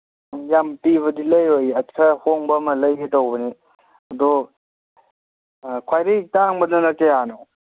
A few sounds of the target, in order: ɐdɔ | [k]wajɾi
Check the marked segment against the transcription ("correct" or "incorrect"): incorrect